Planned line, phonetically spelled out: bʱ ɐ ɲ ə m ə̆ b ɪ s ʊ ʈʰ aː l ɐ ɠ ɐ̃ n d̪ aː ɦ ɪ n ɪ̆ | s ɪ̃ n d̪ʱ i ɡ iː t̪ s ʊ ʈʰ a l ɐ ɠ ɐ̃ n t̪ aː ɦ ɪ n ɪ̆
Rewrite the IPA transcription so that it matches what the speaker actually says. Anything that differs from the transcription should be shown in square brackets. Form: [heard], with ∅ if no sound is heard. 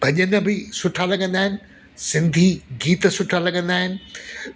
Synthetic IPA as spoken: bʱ ɐ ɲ ə [n] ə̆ b ɪ s ʊ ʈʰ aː l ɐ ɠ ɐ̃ n d̪ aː ɦ ɪ n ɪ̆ | s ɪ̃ n d̪ʱ i ɡ iː t̪ s ʊ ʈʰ a l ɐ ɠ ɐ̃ n [d̪] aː ɦ ɪ n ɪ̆